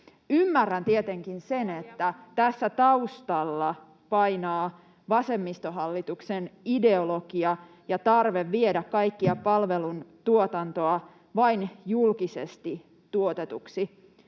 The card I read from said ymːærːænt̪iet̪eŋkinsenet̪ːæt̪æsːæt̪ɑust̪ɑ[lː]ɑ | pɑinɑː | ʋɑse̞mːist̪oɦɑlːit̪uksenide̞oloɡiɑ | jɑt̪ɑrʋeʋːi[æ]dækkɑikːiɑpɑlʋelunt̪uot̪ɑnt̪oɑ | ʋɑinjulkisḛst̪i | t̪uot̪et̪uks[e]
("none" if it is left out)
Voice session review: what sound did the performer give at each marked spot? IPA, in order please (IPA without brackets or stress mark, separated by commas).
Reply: lː, e, i